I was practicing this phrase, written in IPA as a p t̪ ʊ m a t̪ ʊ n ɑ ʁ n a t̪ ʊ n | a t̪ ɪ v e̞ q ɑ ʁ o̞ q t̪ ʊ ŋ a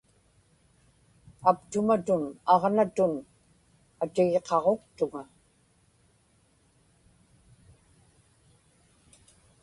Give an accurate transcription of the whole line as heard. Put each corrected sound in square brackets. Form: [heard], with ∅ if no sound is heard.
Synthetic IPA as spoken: a p t̪ ʊ m a t̪ ʊ n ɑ ʁ n a t̪ ʊ n | a t̪ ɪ [ɣ] e̞ q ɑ ʁ o̞ q t̪ ʊ ŋ a